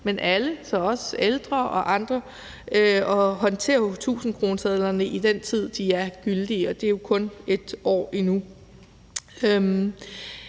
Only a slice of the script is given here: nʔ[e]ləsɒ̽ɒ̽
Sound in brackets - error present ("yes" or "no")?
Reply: yes